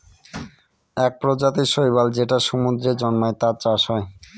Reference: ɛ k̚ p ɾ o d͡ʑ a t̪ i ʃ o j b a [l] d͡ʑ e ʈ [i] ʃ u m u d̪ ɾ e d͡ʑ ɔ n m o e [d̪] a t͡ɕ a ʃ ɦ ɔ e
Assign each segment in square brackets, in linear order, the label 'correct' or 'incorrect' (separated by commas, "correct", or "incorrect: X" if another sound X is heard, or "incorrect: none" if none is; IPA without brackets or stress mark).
correct, incorrect: a, incorrect: t̪